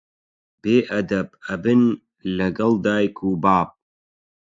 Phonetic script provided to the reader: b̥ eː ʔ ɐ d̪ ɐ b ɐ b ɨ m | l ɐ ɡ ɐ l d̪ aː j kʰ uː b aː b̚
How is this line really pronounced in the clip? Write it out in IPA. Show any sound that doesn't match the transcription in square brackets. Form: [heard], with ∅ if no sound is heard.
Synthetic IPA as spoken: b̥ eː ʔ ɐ d̪ ɐ b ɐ b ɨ [n] | l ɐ ɡ ɐ l d̪ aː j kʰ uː b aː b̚